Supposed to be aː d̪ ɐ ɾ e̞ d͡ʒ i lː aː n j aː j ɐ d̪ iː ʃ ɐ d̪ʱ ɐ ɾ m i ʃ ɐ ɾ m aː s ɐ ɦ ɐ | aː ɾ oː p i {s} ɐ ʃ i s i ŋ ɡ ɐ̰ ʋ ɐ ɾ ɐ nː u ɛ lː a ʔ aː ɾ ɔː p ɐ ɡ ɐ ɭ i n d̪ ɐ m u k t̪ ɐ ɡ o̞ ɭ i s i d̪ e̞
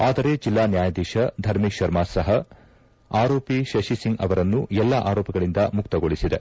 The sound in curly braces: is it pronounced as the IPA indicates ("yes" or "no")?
no